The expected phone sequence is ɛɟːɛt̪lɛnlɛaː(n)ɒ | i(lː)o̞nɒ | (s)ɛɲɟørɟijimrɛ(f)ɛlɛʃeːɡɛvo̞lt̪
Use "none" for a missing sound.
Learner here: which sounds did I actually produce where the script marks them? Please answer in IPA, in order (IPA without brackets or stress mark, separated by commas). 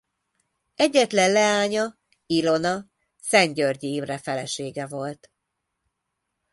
ɲ, l, s, f